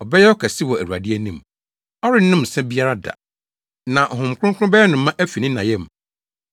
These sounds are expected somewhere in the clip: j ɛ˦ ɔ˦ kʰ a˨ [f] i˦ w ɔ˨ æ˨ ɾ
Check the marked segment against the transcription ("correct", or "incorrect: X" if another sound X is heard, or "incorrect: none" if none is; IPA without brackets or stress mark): incorrect: s